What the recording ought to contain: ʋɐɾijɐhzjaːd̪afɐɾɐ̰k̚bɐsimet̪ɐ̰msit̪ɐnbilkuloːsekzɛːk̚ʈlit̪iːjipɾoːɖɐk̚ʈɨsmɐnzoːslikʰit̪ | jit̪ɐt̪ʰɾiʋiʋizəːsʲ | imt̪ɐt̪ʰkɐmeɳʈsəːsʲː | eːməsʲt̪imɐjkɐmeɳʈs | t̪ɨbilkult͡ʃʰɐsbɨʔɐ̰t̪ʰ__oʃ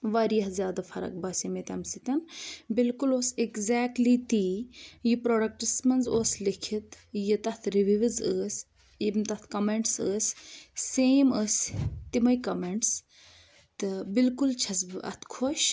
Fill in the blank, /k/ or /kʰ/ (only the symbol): kʰ